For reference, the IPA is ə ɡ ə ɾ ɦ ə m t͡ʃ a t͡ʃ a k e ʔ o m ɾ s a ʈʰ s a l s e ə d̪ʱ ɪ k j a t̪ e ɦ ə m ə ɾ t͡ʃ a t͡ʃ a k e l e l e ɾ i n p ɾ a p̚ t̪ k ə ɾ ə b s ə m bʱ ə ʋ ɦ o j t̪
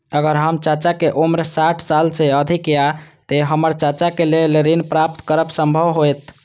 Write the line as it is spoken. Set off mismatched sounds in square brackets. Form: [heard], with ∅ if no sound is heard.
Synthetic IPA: ə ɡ ə ɾ ɦ ə m t͡ʃ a t͡ʃ a k e ʔ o m ɾ s a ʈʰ s a l s e ə d̪ʱ [i] k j a t̪ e ɦ ə m ə ɾ t͡ʃ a t͡ʃ a k e l e l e ɾ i n p ɾ a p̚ t̪ k ə ɾ ə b s ə m bʱ ə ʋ ɦ o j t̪